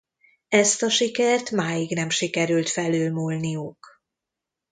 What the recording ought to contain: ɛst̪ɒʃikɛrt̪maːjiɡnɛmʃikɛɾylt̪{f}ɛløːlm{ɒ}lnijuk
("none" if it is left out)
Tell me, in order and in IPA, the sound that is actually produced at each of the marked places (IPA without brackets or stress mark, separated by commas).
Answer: f, u